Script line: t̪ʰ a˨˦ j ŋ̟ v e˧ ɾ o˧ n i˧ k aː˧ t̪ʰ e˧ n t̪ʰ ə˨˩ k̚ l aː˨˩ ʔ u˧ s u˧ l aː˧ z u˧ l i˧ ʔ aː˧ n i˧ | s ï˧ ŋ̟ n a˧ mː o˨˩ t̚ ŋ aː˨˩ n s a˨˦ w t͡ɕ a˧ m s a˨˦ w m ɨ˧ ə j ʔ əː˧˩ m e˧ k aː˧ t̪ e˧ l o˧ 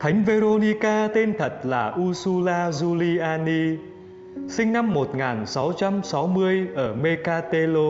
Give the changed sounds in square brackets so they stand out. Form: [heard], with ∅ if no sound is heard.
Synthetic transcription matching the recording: t̪ʰ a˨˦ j ŋ̟ v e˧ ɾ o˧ n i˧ k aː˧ [t̪] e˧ n t̪ʰ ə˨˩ [t̚] l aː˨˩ ʔ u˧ s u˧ l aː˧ z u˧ l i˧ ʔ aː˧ n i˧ | s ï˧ ŋ̟ n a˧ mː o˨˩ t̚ ŋ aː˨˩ n s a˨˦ w t͡ɕ a˧ m s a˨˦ w m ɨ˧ ə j ʔ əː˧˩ m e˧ k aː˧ t̪ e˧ l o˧